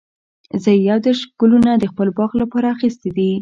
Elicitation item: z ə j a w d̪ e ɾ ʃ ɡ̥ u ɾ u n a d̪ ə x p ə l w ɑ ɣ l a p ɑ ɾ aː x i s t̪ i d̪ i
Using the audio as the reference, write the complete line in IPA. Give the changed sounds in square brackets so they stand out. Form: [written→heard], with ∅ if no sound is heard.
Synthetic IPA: z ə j a w d̪ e ɾ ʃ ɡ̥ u [ɾ→l] u n a d̪ ə x p ə l [w→b] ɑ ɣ l a p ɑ ɾ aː x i s t̪ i d̪ i